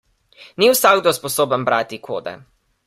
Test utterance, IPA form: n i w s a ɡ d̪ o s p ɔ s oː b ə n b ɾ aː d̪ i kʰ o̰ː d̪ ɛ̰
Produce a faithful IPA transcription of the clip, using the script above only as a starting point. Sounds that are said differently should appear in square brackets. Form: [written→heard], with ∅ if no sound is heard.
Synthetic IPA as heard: n i w s a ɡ d̪ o s p ɔ s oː b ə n b ɾ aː [d̪→t̪] i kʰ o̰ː d̪ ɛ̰